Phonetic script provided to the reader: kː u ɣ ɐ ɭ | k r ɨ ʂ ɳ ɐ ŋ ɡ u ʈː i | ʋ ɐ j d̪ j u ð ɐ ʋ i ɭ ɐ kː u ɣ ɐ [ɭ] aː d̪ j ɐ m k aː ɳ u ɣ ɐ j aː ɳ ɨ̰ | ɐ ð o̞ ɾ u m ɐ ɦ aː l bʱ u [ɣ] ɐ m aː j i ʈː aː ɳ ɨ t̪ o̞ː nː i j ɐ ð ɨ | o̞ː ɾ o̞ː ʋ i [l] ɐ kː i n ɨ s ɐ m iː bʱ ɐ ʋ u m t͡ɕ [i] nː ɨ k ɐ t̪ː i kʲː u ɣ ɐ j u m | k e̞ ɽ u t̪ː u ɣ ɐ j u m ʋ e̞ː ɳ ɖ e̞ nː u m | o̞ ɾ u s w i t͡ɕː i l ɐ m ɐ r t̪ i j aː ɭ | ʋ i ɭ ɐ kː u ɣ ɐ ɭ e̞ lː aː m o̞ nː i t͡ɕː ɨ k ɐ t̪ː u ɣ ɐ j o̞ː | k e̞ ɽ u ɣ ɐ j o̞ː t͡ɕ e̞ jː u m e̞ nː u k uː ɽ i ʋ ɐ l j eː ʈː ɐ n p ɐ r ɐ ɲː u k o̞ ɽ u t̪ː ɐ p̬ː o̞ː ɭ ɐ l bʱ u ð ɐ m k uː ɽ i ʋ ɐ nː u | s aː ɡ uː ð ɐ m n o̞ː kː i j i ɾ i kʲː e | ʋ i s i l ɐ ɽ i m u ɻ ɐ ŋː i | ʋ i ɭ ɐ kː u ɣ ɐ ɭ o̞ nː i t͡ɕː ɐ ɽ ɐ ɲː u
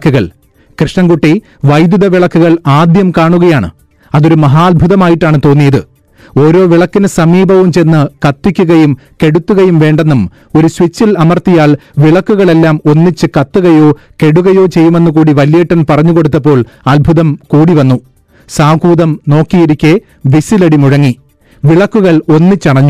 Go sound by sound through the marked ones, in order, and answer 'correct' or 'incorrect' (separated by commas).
correct, incorrect, incorrect, incorrect